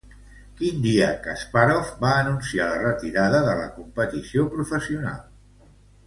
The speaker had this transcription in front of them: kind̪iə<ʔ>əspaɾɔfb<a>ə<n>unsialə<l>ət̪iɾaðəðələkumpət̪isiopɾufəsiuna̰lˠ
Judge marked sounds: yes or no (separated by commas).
no, yes, yes, no